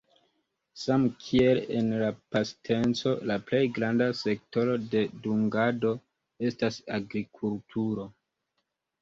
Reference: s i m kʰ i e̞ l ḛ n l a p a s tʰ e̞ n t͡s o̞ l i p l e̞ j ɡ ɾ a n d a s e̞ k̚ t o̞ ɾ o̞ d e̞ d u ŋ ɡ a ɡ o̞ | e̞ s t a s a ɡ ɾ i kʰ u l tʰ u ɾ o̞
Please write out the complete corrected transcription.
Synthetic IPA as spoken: s a m kʰ i e̞ l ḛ n l a p a s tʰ e̞ n t͡s o̞ l a p l e̞ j ɡ ɾ a n d a s e̞ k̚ t o̞ ɾ o̞ d e̞ d u ŋ ɡ a d o̞ | e̞ s t a s a ɡ ɾ i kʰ u l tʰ u ɾ o̞